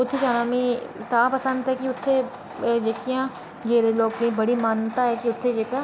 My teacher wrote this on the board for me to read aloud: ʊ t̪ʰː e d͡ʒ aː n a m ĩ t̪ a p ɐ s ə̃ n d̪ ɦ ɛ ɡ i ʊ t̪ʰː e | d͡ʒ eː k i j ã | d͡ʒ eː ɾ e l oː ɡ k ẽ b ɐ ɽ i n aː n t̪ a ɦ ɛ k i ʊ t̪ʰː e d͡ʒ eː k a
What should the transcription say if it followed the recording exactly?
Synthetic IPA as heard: ʊ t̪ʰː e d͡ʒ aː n a m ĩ t̪ a p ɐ s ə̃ n d̪ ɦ ɛ k i ʊ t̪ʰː e | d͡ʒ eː k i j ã | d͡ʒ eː ɾ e l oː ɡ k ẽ b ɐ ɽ i m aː n t̪ a ɦ ɛ k i ʊ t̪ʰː e d͡ʒ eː k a